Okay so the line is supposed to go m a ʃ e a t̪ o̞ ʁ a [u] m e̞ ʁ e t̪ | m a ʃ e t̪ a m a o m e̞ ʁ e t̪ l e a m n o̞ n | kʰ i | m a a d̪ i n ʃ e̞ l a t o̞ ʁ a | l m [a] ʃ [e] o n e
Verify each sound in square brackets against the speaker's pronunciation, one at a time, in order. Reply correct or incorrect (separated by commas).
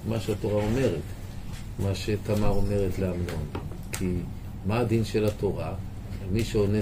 incorrect, incorrect, correct